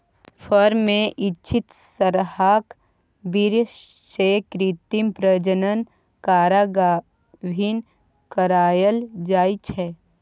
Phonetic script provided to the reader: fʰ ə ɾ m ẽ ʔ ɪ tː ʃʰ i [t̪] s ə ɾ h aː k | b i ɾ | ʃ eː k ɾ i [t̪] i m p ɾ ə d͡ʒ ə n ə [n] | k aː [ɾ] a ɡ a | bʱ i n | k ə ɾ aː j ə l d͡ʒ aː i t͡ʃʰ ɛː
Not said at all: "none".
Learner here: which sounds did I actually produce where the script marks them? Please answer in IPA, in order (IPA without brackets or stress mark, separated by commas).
t̪, t̪, n, ɾ